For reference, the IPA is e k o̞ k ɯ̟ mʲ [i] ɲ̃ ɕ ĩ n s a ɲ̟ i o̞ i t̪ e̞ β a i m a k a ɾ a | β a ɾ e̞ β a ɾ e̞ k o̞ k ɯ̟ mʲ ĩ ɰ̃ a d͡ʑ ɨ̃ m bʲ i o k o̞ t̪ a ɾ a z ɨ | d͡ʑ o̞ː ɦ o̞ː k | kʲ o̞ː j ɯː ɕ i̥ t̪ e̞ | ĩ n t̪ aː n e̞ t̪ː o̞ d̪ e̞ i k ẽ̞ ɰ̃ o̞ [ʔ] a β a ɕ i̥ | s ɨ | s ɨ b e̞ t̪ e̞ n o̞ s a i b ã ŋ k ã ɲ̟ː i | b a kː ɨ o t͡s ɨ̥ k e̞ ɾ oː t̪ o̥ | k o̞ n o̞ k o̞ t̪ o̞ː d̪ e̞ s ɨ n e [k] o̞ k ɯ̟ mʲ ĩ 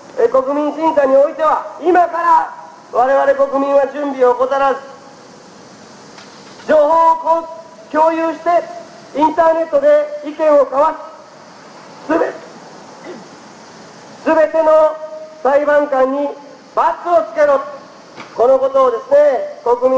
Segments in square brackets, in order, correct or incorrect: incorrect: ĩ, incorrect: k, correct

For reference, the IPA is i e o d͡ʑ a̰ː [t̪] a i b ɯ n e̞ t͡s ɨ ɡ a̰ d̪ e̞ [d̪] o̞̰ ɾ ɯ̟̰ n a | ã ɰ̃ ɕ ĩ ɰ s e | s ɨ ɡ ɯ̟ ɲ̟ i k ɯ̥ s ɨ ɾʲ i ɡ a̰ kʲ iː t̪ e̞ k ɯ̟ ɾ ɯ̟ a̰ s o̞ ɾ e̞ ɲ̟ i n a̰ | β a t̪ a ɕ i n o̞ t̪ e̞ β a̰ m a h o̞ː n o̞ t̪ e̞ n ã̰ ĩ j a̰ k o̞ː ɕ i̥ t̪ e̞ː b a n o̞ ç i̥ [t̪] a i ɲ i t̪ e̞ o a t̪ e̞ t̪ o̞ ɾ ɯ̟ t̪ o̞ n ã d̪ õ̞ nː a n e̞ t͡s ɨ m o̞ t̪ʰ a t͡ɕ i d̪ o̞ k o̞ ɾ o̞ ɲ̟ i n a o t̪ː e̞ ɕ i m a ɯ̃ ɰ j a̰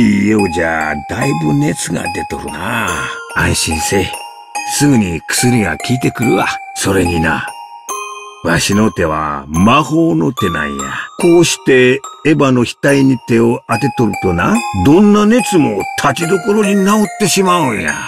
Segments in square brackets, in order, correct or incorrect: incorrect: d̪, incorrect: t̪, correct

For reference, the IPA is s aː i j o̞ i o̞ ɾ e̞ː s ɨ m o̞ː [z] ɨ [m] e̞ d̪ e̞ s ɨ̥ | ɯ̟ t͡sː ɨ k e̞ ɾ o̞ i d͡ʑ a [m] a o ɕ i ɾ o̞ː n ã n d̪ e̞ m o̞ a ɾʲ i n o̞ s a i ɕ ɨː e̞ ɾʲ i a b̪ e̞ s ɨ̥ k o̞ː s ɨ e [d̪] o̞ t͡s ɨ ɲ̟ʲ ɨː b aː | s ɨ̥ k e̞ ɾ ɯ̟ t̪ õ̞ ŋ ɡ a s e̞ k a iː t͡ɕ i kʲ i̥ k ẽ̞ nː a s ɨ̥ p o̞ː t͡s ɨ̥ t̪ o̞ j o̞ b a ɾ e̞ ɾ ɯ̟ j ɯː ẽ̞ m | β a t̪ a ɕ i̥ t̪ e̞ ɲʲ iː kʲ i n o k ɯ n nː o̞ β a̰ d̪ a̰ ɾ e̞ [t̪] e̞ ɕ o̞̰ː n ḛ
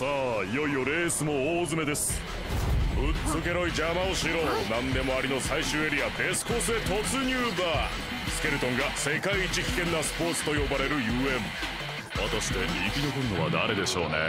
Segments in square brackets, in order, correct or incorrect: correct, correct, correct, incorrect: t̪, incorrect: d̪

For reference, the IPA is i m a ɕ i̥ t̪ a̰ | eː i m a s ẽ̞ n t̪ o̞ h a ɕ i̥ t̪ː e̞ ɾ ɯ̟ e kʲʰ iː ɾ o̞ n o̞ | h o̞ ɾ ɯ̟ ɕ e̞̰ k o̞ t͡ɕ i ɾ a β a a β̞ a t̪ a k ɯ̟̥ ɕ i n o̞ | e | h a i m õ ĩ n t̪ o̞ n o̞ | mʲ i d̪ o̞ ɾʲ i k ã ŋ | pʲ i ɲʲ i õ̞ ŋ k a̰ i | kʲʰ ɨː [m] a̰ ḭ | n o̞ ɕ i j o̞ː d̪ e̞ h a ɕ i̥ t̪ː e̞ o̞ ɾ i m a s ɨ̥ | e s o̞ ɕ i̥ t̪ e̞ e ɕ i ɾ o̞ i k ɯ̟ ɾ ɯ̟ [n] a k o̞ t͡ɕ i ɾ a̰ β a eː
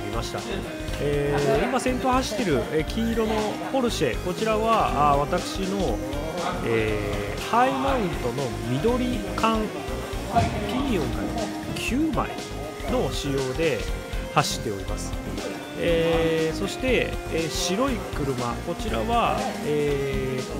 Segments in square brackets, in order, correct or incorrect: correct, incorrect: m

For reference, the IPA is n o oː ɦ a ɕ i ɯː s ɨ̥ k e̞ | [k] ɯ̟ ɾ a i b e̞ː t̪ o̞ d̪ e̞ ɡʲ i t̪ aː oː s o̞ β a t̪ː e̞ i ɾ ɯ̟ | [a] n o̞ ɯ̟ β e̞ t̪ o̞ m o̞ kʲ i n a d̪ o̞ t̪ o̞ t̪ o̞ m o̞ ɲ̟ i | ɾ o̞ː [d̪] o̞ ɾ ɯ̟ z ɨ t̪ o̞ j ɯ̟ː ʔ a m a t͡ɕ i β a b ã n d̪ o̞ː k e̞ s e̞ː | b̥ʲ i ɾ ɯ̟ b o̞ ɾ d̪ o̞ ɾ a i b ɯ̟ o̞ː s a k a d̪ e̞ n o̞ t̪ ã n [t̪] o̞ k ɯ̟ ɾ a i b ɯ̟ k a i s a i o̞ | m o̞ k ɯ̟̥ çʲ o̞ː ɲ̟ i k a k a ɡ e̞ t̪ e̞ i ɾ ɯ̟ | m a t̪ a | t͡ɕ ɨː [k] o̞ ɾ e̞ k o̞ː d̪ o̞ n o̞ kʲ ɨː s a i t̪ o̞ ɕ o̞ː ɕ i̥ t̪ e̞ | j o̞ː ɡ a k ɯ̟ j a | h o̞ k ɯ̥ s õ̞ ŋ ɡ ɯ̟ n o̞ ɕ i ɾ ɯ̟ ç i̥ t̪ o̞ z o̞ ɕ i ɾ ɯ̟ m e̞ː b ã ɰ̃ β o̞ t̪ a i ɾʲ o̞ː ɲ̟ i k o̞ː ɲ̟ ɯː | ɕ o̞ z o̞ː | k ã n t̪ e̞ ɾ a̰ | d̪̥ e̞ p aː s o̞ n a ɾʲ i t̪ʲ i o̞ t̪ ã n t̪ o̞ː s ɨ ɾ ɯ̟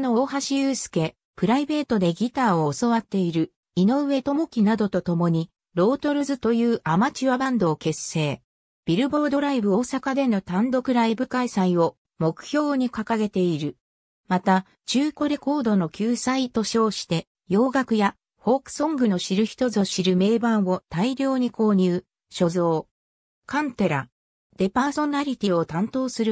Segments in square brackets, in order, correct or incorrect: incorrect: p, incorrect: i, incorrect: t̪, incorrect: d̪, correct

